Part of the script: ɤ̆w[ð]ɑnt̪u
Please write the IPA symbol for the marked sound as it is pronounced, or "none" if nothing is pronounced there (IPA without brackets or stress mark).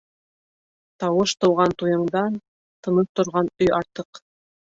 ʁ